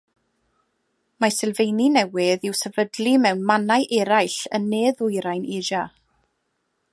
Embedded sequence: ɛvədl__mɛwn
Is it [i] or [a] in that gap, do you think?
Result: i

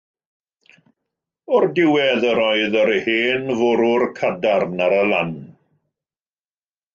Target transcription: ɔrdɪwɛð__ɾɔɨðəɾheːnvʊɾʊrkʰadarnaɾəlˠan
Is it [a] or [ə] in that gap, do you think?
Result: ə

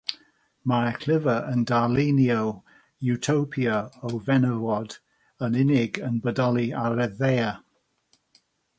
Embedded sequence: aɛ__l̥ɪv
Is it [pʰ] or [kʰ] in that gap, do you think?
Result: kʰ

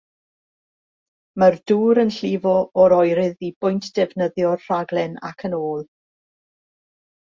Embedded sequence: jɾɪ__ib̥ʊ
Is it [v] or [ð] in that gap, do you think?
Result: ð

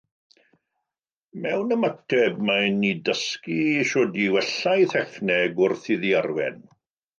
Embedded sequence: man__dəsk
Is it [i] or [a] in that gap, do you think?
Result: i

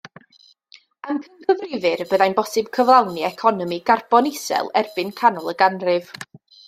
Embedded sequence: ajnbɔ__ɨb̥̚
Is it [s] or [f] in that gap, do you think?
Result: s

